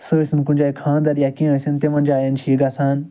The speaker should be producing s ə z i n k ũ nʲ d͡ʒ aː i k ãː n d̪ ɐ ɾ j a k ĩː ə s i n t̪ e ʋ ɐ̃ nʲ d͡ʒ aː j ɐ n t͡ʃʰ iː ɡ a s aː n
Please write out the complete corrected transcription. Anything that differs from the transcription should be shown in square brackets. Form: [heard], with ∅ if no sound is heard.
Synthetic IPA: s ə [s] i n k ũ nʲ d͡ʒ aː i [kʰ] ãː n d̪ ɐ ɾ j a k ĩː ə s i n t̪ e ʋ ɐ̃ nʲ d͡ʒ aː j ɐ n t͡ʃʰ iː ɡ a s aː n